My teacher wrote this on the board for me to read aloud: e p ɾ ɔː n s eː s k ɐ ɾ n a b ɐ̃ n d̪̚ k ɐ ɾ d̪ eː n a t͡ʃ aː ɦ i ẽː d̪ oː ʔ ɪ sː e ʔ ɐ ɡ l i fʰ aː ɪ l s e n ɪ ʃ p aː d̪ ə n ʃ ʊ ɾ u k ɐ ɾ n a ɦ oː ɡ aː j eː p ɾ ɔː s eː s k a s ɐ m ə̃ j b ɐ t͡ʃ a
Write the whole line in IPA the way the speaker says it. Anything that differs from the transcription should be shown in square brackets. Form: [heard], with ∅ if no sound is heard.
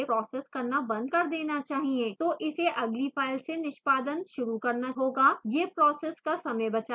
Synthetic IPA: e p ɾ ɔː [∅] s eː s k ɐ ɾ n a b ɐ̃ n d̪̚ k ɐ ɾ d̪ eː n a t͡ʃ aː ɦ i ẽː [t̪] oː ʔ ɪ [s] e ʔ ɐ ɡ l i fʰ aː ɪ l s e n ɪ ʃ p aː d̪ ə n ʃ ʊ ɾ u k ɐ ɾ n a ɦ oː ɡ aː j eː p ɾ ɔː s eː s k a s ɐ m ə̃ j b ɐ t͡ʃ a